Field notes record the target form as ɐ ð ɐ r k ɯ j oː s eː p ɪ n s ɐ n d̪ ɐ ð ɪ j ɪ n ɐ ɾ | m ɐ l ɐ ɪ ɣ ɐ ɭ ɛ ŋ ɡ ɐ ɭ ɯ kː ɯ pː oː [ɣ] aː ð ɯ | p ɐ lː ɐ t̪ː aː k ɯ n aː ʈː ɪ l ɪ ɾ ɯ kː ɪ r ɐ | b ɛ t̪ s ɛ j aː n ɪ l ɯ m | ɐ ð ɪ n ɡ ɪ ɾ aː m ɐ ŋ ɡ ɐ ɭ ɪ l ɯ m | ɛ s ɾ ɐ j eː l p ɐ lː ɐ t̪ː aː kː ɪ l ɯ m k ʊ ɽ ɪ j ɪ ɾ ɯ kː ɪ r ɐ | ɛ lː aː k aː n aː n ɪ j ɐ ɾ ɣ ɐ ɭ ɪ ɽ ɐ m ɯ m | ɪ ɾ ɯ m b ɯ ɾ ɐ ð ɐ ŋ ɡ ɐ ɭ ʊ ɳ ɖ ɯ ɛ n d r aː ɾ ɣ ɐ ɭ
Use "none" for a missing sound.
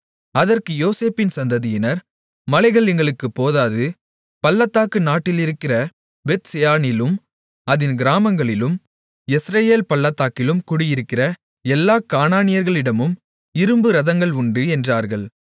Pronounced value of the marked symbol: ð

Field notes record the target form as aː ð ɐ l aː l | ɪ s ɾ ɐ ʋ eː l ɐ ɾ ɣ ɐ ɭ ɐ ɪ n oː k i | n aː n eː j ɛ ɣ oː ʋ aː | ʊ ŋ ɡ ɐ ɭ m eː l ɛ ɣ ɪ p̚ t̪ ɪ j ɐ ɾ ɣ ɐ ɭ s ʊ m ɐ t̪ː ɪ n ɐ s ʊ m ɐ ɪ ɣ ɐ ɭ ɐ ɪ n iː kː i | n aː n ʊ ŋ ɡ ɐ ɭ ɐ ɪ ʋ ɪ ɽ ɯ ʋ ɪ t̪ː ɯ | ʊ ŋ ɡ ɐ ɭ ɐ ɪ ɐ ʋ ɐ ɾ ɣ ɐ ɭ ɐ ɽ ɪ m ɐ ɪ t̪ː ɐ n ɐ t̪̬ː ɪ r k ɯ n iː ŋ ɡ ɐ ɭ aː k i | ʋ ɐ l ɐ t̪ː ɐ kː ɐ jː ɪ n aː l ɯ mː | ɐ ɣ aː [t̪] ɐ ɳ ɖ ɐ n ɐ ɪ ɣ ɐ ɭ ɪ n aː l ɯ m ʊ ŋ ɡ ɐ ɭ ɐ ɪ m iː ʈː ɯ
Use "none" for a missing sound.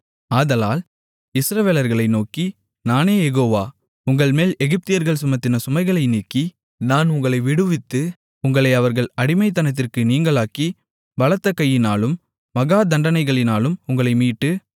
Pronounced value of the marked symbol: d̪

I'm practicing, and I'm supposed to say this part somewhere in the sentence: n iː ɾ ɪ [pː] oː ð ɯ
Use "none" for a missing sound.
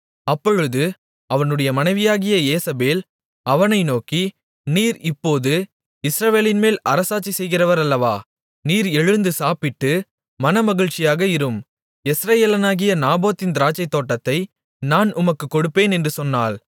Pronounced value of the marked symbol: pː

